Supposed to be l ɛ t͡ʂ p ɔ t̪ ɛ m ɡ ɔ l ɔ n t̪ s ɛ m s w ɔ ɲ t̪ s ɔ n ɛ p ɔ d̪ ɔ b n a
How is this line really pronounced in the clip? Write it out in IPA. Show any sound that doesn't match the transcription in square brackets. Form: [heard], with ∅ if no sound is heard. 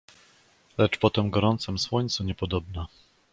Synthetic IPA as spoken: l ɛ t͡ʂ p ɔ t̪ ɛ m ɡ ɔ [ɾ] ɔ n t̪ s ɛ m s w ɔ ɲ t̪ s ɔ [ɲ] ɛ p ɔ d̪ ɔ b n a